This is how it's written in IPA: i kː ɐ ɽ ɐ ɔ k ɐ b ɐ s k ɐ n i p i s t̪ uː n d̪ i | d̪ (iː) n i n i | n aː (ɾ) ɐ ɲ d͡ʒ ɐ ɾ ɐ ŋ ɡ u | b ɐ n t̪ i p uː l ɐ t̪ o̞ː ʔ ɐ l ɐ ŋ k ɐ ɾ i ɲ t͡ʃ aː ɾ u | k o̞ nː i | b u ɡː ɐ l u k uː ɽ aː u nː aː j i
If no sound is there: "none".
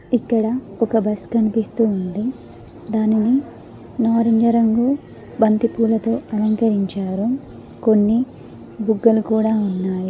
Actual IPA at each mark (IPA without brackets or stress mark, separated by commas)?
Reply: aː, ɾ